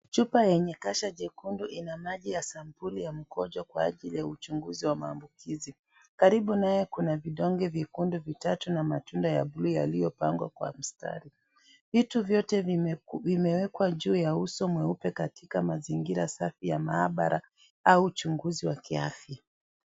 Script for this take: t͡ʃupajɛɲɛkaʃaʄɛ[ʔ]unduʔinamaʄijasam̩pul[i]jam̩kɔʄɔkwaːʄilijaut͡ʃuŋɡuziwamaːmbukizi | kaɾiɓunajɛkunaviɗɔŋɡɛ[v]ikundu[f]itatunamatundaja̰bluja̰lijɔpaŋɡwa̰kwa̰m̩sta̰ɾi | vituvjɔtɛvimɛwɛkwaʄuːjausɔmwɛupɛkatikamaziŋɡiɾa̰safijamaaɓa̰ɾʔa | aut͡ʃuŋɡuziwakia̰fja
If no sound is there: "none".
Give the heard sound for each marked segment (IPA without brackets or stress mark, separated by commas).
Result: k, i, v, v